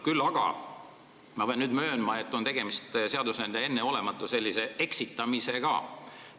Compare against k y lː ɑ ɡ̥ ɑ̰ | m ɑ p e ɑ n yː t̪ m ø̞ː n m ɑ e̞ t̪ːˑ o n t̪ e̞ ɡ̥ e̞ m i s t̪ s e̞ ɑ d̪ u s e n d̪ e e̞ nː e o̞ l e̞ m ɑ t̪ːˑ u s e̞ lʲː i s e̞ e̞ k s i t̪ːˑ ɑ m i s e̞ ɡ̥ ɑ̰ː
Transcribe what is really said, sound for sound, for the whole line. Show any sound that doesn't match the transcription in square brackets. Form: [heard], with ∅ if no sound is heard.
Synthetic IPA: k y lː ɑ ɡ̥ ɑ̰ | m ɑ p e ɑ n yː [d̪] m ø̞ː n m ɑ e̞ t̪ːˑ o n t̪ e̞ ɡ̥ e̞ m i s t̪ s e̞ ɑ d̪ u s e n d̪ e e̞ nː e o̞ l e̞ m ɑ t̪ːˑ u s e̞ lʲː i s e̞ e̞ k s i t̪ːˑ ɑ m i s e̞ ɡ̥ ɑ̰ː